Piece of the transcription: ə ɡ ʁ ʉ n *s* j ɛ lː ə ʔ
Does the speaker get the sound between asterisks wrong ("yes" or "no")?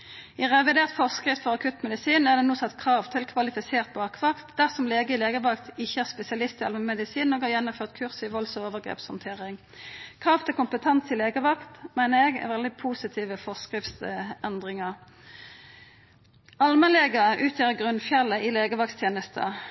yes